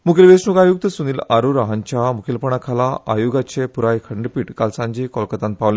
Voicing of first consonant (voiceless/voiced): voiced